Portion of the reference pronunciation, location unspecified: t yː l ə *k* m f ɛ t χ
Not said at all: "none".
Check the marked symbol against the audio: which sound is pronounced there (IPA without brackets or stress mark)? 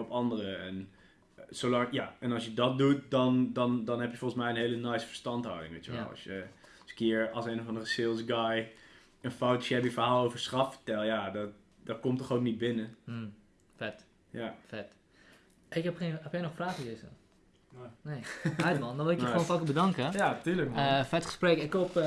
k